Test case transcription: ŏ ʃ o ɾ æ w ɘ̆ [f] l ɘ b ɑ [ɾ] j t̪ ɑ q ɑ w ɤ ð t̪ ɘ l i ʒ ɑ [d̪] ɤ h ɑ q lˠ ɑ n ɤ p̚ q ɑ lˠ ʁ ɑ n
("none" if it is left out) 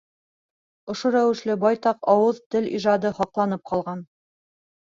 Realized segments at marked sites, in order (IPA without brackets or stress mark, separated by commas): ʃ, none, d̪